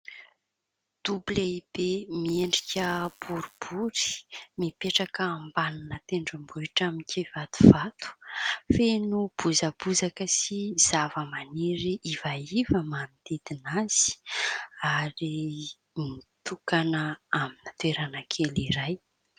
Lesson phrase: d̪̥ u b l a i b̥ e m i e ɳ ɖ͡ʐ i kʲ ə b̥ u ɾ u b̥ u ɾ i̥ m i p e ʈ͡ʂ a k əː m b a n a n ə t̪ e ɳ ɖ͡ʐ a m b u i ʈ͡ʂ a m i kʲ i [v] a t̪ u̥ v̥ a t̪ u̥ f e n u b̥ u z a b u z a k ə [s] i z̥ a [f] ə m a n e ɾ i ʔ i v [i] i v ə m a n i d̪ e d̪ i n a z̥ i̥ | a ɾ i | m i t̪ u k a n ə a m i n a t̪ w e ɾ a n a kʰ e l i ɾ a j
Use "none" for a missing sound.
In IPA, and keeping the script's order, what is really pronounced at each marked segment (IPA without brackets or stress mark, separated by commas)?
v, s, v, a